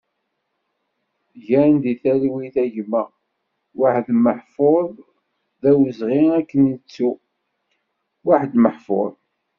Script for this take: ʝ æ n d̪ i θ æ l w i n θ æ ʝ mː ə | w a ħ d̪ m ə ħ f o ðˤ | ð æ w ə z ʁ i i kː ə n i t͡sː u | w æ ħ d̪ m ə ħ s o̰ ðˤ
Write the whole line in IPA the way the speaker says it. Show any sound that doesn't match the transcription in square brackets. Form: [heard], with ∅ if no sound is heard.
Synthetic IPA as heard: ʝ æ n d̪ i θ æ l w i [∅] θ æ ʝ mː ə | w a ħ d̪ m ə ħ f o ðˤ | ð æ w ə z ʁ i [æ] kː ə n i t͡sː u | w [a] ħ d̪ m ə ħ [f] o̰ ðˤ